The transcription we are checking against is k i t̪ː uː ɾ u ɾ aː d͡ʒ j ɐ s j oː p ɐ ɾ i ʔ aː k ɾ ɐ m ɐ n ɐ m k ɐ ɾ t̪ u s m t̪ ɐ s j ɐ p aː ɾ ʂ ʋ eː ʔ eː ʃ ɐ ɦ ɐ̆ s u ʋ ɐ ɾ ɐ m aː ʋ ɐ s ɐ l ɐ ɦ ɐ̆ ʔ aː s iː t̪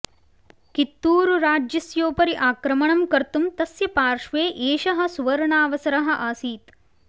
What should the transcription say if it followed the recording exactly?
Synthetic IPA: k i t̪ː uː ɾ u ɾ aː d͡ʒ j ɐ s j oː p ɐ ɾ i ʔ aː k ɾ ɐ m ɐ ɳ ɐ m k ɐ ɾ t̪ u m t̪ ɐ s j ɐ p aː ɾ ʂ ʋ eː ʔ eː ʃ ɐ ɦ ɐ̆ s u ʋ ɐ ɾ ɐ ɳ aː ʋ ɐ s ɐ ɾ ɐ ɦ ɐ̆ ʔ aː s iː t̪